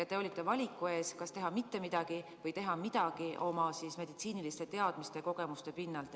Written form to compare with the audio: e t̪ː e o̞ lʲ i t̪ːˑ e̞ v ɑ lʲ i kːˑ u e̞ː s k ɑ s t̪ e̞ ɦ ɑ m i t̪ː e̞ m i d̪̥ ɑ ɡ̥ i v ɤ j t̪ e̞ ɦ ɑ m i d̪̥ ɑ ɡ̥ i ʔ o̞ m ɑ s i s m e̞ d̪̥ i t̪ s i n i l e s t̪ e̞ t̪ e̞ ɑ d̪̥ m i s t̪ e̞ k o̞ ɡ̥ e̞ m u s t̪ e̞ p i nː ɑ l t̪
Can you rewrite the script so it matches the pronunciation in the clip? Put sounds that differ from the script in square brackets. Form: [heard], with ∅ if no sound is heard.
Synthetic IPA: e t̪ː e o̞ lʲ i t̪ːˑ e̞ v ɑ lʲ i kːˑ u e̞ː s k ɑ s t̪ e̞ ɦ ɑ m i t̪ː e̞ m i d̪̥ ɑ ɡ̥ i v ɤ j t̪ e̞ ɦ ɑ m i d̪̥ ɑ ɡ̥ i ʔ o̞ m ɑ s i s m e̞ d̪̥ i t̪ s [iː] n i l [i] s t̪ e̞ t̪ e̞ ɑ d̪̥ m i s t̪ e̞ k o̞ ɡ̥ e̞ m u s t̪ e̞ p i nː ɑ l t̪